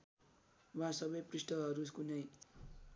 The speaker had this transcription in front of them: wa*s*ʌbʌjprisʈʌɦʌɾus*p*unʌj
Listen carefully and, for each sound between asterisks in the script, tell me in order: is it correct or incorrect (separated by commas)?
correct, incorrect